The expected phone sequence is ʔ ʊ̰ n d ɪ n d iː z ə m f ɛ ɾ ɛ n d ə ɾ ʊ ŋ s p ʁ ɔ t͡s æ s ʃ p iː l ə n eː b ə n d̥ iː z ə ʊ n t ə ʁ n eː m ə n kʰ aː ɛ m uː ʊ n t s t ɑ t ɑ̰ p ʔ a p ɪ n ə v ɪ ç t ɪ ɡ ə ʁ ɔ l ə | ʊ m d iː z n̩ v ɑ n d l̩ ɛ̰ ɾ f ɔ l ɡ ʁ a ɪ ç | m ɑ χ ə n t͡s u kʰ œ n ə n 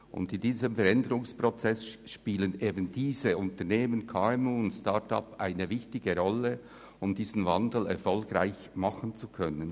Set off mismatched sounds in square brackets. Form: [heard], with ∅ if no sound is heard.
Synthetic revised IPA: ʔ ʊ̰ n d ɪ n d iː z ə m f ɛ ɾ ɛ n d ə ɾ ʊ ŋ s p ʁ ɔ t͡s [ɛ] s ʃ p iː l ə n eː b ə n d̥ iː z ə ʊ n t ə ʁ n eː m ə n kʰ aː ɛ m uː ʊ n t s t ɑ t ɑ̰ p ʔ a [∅] ɪ n ə v ɪ ç t ɪ ɡ ə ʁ ɔ l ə | ʊ m d iː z n̩ v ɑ n d l̩ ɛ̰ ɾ f ɔ l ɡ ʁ a ɪ ç | m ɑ χ ə n t͡s u kʰ œ n ə n